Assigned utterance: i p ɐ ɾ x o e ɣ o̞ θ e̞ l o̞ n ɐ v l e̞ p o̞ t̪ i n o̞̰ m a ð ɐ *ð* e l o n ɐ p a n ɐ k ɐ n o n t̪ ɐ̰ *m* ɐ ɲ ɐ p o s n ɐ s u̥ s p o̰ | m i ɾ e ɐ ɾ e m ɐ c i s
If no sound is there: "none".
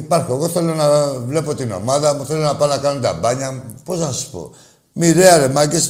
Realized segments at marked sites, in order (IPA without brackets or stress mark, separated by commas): θ, b